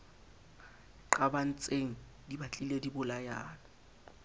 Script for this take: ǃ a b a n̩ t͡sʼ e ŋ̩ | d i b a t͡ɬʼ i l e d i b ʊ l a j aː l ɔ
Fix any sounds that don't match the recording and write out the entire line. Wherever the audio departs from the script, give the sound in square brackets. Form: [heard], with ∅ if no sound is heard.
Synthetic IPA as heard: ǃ a b a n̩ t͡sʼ e ŋ̩ | d i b a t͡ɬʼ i l e d i b ʊ l a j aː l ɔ